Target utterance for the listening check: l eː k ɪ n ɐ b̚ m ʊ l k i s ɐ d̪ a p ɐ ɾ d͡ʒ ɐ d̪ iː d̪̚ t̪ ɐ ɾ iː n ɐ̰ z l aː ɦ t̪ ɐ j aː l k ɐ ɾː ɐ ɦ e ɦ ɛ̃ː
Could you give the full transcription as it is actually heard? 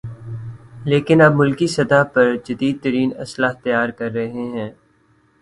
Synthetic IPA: l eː k ɪ n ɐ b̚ m ʊ l k i s ɐ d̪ a p ɐ ɾ d͡ʒ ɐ d̪ iː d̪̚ t̪ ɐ ɾ iː n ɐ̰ s l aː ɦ t̪ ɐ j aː ɾ k ɐ ɾː ɐ ɦ e ɦ ɛ̃ː